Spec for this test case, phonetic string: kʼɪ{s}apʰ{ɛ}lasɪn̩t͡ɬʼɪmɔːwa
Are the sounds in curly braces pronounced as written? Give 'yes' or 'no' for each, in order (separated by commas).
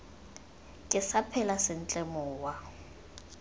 yes, yes